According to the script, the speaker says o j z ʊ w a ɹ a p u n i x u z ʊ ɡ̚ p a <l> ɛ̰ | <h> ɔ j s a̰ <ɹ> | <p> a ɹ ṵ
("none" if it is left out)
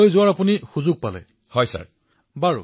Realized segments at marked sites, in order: l, h, ɹ, b

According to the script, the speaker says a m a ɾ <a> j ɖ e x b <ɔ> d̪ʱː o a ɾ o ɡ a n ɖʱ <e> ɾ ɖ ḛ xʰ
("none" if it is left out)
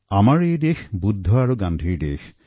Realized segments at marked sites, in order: e, u, i

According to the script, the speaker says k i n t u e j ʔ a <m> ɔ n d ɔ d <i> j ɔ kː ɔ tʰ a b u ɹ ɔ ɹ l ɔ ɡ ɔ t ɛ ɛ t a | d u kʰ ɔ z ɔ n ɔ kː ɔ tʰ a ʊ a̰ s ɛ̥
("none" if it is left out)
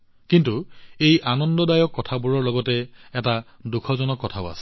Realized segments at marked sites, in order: n, a

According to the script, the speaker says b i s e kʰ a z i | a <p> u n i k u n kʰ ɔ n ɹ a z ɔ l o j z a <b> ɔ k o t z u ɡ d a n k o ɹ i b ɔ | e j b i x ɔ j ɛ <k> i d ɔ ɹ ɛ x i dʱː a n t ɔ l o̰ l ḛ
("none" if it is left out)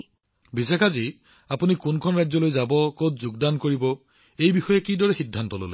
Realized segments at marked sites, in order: p, b, k

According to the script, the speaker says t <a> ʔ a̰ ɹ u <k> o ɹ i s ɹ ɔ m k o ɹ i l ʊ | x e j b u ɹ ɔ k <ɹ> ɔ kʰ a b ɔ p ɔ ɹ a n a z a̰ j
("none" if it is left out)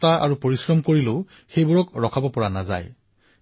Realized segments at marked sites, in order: a, p, ɹ

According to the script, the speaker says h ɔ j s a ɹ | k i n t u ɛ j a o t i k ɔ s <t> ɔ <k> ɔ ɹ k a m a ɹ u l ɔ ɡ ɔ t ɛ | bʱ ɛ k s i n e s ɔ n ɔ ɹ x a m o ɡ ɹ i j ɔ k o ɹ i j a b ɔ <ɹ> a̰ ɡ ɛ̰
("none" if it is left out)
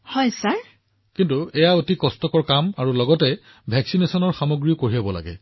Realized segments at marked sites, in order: t, k, l

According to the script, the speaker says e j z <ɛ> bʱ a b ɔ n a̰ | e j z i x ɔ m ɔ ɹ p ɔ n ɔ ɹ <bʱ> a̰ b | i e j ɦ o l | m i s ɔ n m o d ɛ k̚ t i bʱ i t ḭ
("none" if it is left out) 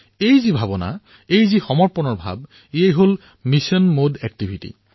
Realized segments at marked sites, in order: i, bʱ

